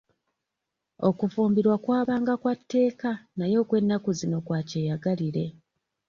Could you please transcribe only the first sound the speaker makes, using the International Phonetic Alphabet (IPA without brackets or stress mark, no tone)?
o̞